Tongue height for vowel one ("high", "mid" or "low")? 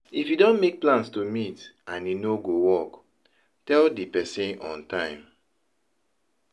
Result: high